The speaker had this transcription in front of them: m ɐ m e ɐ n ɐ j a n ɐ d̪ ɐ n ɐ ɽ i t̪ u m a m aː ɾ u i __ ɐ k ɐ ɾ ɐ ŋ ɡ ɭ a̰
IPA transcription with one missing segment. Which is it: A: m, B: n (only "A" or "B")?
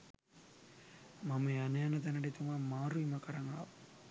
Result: A